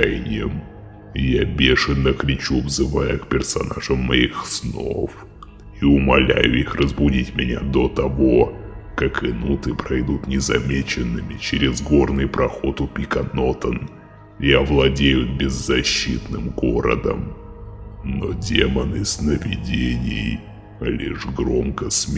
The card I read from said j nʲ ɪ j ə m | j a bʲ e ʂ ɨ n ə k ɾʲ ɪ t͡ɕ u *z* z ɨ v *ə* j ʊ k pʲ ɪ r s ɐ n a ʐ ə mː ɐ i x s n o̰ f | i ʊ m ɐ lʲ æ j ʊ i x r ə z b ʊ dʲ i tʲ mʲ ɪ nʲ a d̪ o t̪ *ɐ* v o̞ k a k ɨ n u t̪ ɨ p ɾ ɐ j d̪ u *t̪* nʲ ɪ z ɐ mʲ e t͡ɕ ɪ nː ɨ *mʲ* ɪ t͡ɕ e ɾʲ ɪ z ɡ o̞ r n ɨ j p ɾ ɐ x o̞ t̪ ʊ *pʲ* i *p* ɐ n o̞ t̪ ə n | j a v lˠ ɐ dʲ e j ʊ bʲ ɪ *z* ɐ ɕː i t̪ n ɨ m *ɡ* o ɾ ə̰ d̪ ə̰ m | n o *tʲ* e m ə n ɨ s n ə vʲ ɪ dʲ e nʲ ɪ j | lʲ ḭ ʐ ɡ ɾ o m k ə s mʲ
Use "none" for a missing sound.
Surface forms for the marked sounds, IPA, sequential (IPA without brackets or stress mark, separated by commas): v, a, ɐ, t̪, mʲ, pʲ, k, zː, ɡ, dʲ